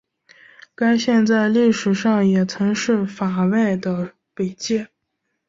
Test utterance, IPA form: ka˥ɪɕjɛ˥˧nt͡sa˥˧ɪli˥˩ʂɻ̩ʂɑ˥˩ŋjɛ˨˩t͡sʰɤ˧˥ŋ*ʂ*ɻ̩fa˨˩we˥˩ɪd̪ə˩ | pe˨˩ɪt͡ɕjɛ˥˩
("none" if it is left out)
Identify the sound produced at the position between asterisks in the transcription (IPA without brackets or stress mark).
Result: ʂ